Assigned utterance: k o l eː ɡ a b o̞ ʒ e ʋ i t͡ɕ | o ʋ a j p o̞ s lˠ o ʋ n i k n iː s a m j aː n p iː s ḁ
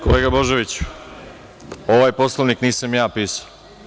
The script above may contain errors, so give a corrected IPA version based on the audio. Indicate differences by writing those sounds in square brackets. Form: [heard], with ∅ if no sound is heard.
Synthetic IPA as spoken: k o l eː ɡ a b o̞ ʒ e ʋ i t͡ɕ | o ʋ a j p o̞ s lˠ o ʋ n i k n iː s a m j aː [∅] p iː s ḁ